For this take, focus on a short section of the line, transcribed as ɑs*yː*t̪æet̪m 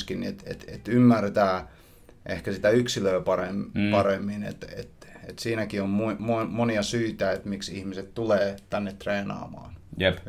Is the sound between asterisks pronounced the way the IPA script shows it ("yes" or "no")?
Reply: yes